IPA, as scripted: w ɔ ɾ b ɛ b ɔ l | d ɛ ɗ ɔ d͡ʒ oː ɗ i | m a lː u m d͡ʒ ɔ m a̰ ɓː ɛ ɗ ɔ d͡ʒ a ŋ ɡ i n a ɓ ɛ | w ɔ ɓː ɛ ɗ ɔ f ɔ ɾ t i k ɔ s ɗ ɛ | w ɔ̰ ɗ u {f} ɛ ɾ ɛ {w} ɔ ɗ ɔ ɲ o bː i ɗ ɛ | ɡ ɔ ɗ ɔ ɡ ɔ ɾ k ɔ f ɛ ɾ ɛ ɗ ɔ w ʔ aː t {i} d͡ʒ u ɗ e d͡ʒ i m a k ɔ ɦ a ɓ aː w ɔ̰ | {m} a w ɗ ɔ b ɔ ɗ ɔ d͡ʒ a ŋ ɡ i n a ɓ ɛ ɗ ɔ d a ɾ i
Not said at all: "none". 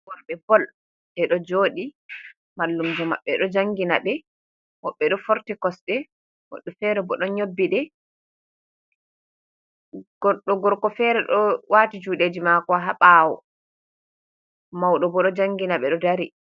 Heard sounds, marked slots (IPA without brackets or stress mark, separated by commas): f, b, i, m